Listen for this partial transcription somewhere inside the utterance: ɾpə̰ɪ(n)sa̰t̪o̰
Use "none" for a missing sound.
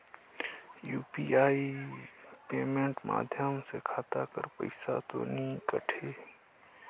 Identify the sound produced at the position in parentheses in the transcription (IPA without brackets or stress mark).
none